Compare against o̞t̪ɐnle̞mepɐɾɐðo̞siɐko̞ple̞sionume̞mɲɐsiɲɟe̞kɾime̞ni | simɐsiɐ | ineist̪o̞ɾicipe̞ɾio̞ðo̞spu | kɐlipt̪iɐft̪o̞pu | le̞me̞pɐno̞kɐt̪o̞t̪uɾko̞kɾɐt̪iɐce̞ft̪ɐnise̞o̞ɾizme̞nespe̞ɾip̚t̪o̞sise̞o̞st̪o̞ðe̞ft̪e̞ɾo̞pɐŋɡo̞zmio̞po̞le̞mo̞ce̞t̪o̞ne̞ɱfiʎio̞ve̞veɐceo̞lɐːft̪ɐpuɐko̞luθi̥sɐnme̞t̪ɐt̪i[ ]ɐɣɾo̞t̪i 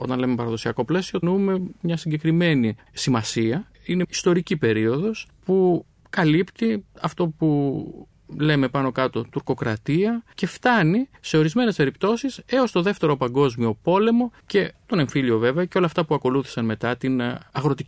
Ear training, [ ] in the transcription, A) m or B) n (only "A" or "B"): B